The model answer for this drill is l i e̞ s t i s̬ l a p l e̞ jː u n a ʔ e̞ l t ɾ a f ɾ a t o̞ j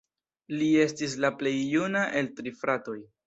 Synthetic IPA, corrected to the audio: l i e̞ s t i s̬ l a p l e̞ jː u n a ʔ e̞ l t ɾ i f ɾ a t o̞ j